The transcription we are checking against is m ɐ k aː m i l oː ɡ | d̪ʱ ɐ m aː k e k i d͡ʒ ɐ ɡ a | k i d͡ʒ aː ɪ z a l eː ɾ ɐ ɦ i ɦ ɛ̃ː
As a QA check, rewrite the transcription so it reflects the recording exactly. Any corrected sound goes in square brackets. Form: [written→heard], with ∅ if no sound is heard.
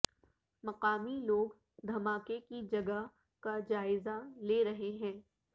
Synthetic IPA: m ɐ [k→q] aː m i l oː ɡ | d̪ʱ ɐ m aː k e k i d͡ʒ ɐ ɡ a | k [i→a] d͡ʒ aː ɪ z a l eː ɾ ɐ ɦ [i→e] ɦ ɛ̃ː